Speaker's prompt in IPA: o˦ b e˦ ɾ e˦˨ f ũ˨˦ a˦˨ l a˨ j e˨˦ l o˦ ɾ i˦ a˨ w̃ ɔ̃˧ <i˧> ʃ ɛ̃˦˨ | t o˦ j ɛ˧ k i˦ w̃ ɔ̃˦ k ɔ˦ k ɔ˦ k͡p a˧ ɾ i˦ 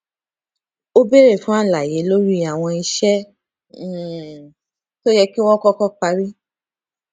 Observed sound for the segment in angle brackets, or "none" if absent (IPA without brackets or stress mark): i˧